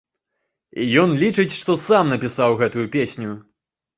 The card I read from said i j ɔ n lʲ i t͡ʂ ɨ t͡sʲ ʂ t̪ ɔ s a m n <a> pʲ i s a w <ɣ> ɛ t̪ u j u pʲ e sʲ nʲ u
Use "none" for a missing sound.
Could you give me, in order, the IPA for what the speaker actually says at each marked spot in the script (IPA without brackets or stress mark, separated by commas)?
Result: ɐ, ɣ